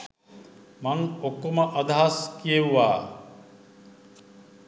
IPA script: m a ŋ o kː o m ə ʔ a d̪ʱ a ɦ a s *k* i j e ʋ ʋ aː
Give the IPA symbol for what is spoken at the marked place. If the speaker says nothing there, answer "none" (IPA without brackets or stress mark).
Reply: k